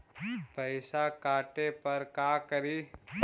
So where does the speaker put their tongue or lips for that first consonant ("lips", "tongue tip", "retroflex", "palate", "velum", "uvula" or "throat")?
lips